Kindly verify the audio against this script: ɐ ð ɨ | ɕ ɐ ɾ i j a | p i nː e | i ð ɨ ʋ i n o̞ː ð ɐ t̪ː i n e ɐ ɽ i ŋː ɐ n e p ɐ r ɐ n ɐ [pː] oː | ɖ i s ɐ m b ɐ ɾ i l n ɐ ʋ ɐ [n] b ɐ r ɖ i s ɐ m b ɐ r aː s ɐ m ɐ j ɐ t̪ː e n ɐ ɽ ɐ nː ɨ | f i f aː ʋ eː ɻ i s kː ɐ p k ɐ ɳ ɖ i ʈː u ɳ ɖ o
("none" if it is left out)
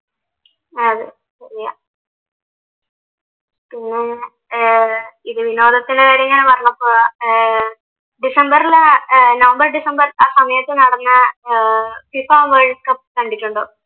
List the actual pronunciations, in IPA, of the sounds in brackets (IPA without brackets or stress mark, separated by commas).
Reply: pː, m